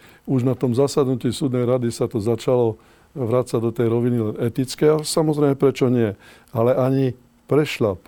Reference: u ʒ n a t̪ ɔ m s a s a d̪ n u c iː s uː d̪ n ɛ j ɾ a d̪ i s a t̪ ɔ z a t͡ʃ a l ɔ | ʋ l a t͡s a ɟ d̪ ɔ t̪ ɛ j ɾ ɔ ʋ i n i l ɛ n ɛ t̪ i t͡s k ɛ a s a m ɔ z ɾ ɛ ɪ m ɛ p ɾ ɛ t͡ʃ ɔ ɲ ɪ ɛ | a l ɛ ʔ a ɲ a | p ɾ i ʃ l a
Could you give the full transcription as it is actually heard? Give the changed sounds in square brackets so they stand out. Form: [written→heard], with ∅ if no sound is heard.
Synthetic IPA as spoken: u ʒ n a t̪ ɔ m [s→z] a s a d̪ n u c iː s uː d̪ n ɛ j ɾ a d̪ i s a t̪ ɔ z a t͡ʃ a l ɔ | ʋ [l→ɾ] a t͡s a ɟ d̪ ɔ t̪ ɛ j ɾ ɔ ʋ i n i l ɛ n ɛ t̪ i t͡s k ɛ a s a m ɔ z ɾ ɛ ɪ m ɛ p ɾ ɛ t͡ʃ ɔ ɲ ɪ ɛ | a l ɛ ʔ a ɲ [a→i] | p ɾ [i→ɛ] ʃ l a